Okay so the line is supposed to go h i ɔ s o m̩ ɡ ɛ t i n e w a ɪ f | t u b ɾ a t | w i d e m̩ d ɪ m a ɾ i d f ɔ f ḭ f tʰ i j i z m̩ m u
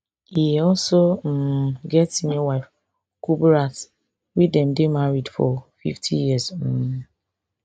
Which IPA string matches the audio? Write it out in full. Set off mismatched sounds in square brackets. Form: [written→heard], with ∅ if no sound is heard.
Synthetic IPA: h i ɔ s o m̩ ɡ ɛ t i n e w a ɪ f | [t→k] u b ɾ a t | w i d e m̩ d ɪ m a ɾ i d f ɔ f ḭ f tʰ i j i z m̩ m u